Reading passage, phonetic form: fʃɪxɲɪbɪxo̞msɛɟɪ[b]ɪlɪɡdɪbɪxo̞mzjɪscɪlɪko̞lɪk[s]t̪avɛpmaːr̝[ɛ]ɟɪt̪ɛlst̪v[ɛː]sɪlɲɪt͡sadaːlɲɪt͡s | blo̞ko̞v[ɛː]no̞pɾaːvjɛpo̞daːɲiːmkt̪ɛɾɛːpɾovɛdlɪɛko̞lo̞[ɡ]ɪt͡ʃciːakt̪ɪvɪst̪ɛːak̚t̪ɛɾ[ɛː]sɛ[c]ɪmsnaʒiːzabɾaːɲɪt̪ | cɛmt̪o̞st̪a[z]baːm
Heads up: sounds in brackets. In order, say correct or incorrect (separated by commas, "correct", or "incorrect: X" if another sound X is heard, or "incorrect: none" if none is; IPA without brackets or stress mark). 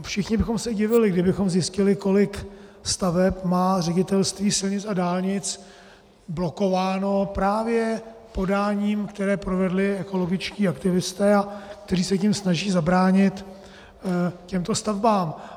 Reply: incorrect: v, correct, correct, incorrect: iː, incorrect: aː, correct, incorrect: iː, correct, incorrect: v